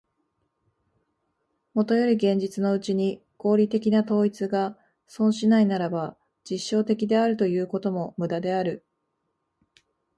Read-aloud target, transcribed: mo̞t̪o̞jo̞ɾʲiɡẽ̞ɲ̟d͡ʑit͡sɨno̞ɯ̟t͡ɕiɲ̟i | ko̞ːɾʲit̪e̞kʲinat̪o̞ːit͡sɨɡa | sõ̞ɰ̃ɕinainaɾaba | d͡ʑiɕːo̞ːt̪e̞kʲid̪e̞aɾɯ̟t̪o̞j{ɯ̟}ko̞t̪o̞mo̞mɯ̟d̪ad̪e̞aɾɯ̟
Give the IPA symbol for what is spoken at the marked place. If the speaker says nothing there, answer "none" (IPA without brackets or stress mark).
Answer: ɯ̟ː